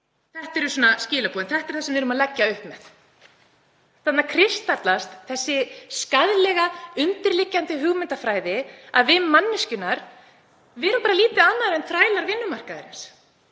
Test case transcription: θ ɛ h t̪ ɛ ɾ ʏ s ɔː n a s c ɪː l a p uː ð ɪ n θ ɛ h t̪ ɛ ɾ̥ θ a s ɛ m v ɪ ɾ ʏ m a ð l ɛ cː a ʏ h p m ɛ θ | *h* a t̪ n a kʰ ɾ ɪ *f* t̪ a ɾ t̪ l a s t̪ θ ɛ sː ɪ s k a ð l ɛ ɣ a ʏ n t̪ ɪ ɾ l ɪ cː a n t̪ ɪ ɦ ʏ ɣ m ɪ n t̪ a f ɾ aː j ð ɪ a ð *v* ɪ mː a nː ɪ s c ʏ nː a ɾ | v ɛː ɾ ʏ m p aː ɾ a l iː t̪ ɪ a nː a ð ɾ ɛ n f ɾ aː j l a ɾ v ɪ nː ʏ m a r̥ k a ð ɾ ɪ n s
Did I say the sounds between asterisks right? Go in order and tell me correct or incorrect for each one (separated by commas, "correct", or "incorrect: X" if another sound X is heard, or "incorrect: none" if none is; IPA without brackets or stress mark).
incorrect: θ, incorrect: s, correct